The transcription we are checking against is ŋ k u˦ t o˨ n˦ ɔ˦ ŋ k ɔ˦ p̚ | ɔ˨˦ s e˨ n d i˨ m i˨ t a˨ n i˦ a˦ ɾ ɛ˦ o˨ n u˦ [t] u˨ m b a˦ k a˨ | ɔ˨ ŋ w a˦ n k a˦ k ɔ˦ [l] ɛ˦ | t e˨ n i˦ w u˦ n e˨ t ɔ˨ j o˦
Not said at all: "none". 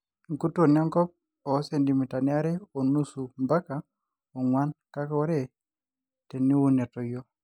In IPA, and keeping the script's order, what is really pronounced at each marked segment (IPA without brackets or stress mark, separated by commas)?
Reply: s, ɾ